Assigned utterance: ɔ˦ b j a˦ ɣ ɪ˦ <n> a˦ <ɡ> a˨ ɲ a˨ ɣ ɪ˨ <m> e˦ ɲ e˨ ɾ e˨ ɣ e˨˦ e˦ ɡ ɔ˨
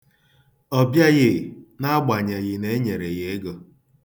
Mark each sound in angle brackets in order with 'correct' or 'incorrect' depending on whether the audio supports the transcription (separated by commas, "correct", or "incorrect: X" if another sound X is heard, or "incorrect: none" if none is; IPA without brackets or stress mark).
correct, incorrect: ɡ͡b, incorrect: n